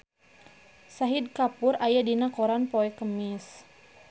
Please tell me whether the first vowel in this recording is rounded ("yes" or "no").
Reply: no